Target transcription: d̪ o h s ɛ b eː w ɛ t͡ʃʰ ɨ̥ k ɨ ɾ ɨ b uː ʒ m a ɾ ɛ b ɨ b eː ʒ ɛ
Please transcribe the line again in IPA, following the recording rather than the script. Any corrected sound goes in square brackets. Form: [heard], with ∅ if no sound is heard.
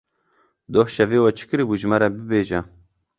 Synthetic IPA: d̪ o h [ʃ] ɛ [v] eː w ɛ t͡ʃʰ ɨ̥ k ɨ ɾ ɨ b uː ʒ m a ɾ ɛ b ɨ b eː ʒ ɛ